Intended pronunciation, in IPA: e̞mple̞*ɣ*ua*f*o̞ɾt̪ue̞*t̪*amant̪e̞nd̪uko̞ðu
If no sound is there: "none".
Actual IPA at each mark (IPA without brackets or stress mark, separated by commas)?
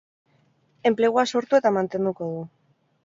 ɣ, s, t̪